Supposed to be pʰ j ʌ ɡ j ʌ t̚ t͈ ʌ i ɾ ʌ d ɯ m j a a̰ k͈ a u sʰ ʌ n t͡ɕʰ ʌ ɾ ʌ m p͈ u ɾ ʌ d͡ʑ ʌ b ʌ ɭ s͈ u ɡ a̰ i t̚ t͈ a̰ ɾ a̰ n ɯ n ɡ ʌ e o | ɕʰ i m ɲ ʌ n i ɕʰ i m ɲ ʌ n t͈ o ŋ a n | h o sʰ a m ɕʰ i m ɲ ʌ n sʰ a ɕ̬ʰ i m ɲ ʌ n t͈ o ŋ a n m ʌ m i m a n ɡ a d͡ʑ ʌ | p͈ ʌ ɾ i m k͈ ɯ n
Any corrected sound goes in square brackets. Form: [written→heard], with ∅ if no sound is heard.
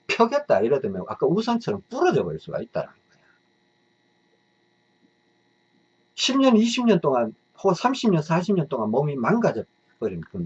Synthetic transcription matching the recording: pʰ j ʌ ɡ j ʌ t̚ t͈ [ʌ→a] i ɾ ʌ d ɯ m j [a→ʌ] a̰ k͈ a u sʰ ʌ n t͡ɕʰ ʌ ɾ ʌ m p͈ u ɾ ʌ d͡ʑ ʌ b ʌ ɭ s͈ u ɡ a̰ i t̚ t͈ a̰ ɾ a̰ n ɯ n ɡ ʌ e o | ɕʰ i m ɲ ʌ n i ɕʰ i m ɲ ʌ n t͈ o ŋ a n | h o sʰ a m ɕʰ i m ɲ ʌ n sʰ a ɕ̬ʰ i m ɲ ʌ n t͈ o ŋ a n m ʌ m i m a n ɡ a d͡ʑ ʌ | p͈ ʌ ɾ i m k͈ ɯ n